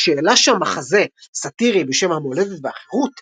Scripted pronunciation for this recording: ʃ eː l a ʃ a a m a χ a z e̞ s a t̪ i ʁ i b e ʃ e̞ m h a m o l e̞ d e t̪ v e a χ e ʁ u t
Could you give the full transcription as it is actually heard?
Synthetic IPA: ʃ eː l a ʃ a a m a χ a z e̞ s a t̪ i ʁ i b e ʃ e̞ m h a m o l e̞ d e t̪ v e a χ e ʁ u t